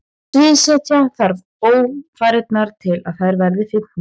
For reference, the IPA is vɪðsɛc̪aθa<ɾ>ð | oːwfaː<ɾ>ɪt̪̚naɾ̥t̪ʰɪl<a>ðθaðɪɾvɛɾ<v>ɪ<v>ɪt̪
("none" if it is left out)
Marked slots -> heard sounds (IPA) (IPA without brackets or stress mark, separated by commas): ɾ, ɾ, a, ð, f